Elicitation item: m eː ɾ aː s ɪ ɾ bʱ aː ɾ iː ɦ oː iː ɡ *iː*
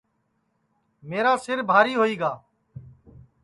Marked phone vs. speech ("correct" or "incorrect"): incorrect